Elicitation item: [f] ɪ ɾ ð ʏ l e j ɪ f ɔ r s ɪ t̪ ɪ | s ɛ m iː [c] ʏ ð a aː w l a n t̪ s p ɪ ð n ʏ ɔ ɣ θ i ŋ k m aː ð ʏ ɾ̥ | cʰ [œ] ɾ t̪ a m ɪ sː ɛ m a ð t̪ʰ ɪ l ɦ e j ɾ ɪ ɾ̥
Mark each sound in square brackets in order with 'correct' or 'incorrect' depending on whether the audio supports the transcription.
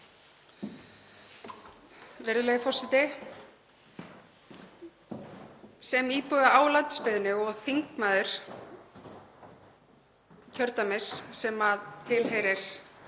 incorrect: v, incorrect: p, correct

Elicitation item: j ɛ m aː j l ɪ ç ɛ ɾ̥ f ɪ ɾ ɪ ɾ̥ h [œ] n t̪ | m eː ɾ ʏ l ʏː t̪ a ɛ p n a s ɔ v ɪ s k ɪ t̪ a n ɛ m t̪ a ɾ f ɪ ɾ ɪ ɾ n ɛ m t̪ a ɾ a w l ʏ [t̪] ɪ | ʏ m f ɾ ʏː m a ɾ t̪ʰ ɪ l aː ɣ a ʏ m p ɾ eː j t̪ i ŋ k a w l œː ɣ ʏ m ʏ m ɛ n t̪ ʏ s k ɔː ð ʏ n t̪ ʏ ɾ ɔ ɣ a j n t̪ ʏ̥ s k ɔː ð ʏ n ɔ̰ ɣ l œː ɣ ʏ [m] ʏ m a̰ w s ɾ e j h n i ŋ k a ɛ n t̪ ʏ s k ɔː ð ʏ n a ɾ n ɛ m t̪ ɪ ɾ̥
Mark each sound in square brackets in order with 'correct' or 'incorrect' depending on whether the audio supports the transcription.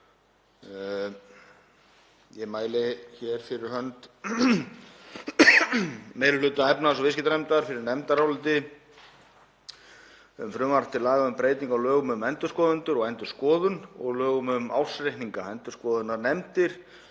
correct, correct, correct

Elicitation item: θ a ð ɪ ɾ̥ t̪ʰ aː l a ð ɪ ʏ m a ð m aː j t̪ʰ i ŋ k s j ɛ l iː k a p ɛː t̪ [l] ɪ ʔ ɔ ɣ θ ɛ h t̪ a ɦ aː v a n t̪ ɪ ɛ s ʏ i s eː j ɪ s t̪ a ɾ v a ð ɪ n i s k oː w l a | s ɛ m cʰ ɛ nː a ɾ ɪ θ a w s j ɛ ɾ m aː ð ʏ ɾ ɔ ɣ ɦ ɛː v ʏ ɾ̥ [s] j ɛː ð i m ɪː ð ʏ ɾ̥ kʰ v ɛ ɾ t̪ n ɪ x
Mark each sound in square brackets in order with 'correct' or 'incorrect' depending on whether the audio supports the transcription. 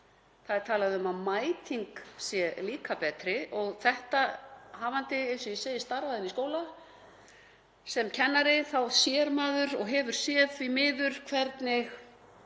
incorrect: ɾ, correct

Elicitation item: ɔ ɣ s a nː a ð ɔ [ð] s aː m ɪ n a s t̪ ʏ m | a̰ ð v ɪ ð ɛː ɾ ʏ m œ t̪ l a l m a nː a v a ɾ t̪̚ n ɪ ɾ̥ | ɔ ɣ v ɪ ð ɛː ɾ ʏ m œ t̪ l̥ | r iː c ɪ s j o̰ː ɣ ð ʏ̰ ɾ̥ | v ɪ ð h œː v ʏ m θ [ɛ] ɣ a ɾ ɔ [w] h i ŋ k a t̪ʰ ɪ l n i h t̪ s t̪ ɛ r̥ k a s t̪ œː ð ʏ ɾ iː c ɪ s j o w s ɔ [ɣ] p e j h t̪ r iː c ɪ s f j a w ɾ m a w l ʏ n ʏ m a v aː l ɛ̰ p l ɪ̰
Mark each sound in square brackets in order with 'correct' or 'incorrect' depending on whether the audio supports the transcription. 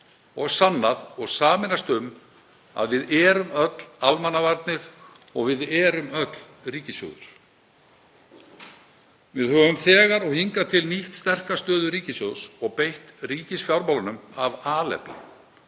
incorrect: ɣ, incorrect: ɛː, incorrect: ɣ, correct

